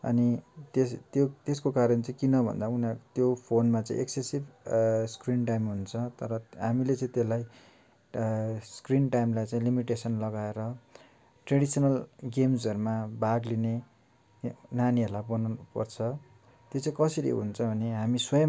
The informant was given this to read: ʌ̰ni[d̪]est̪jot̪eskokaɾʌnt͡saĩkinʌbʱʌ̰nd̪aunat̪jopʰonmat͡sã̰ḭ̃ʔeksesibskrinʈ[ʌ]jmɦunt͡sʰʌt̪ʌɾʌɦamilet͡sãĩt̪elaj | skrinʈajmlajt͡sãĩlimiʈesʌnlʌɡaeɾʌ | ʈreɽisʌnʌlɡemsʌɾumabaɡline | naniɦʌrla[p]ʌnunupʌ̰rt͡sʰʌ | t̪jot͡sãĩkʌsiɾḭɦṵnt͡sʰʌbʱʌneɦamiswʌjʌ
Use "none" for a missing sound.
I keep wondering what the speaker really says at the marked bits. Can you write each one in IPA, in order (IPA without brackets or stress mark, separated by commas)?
t̪, a, b